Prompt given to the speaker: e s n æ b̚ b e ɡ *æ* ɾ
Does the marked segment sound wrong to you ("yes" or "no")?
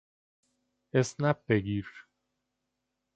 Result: yes